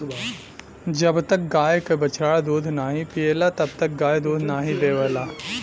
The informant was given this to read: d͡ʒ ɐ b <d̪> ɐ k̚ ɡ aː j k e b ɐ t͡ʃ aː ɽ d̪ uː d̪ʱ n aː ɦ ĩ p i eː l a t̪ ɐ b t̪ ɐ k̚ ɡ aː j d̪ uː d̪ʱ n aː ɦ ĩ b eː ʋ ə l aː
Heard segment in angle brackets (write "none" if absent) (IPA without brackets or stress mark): t̪